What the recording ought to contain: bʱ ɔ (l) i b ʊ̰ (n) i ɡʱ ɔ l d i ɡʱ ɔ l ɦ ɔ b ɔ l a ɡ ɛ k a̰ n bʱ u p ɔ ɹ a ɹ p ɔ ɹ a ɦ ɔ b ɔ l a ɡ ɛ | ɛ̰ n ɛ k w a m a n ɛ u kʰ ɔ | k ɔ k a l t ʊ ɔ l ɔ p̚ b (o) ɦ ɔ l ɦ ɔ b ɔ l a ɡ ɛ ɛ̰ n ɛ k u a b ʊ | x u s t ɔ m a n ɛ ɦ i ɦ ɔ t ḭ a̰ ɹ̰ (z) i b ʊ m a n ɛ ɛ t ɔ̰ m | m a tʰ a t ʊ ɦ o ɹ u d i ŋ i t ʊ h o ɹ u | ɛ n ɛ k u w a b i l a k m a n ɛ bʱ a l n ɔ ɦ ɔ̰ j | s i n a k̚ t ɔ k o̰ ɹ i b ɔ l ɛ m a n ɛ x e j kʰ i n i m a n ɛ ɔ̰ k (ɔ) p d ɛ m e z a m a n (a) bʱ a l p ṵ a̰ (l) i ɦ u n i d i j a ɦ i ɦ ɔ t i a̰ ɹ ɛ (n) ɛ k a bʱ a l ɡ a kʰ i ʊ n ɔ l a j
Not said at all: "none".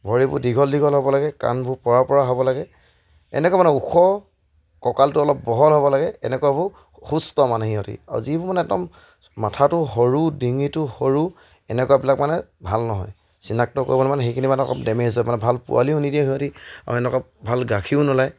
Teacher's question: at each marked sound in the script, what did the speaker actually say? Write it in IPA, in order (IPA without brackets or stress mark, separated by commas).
ɹ, d, ɔ, z, ɔ, ɛ, l, n